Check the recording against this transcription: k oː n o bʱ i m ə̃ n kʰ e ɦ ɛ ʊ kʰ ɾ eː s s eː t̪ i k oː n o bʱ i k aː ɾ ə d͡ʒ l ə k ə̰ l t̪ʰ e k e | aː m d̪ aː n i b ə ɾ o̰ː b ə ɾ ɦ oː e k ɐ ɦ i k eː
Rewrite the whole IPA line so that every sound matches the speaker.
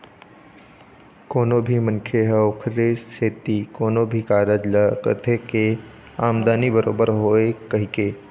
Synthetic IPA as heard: k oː n o bʱ i m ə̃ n kʰ e ɦ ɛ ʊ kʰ ɾ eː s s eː t̪ i k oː n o bʱ i k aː ɾ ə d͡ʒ l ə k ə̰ t̪ʰ e k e | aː m d̪ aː n i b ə ɾ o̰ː b ə ɾ ɦ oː e k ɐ ɦ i k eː